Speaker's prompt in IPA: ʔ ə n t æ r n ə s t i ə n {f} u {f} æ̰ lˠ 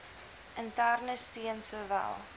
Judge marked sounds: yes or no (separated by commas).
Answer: no, no